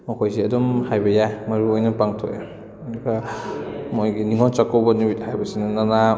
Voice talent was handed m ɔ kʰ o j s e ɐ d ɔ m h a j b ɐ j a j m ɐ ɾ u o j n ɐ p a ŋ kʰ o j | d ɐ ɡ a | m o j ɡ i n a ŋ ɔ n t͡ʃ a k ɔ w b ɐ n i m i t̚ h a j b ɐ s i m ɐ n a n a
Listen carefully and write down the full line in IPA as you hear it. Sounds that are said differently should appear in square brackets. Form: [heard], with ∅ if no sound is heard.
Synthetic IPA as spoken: m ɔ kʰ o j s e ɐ d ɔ m h a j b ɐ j a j m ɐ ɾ u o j n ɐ p a ŋ [tʰ] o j | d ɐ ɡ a | m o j ɡ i n [i] ŋ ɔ n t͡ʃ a k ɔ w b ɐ n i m i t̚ h a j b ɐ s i [n] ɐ n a n a